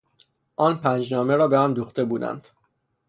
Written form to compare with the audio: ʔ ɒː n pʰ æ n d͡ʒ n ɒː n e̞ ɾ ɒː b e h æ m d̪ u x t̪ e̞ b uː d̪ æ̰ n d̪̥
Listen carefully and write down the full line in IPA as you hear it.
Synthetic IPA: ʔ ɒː n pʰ æ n d͡ʒ n ɒː m e̞ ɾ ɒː b e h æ m d̪ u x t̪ e̞ b uː d̪ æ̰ n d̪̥